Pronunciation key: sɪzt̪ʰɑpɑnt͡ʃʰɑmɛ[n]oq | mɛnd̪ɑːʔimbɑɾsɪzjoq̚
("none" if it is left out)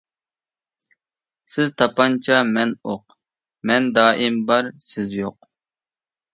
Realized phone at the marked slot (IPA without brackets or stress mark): n